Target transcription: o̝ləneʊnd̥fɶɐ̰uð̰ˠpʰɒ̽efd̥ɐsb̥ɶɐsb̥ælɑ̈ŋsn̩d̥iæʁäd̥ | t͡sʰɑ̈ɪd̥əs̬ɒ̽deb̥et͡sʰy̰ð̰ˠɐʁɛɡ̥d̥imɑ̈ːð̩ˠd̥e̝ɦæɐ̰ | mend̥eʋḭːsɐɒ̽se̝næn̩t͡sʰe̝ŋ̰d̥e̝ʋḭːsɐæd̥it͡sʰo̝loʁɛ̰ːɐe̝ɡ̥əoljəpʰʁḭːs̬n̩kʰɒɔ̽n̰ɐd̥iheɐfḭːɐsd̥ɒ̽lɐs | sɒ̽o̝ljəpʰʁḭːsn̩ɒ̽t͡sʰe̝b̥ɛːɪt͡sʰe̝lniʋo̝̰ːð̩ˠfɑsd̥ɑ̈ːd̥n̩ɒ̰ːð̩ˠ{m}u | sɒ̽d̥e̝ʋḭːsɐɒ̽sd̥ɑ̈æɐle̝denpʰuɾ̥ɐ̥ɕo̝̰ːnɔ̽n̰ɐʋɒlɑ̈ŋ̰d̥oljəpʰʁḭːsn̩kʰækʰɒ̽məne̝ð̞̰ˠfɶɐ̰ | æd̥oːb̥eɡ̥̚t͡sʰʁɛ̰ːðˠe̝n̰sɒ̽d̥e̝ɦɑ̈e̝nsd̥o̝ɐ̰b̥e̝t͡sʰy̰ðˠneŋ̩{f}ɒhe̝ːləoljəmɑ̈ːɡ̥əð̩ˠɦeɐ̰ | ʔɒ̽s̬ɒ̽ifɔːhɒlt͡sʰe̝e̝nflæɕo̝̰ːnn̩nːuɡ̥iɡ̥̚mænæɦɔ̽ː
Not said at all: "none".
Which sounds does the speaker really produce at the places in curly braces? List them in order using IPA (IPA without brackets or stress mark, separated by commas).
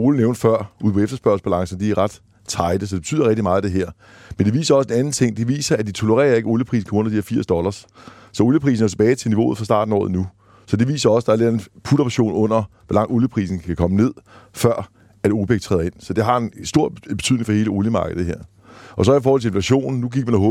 n, f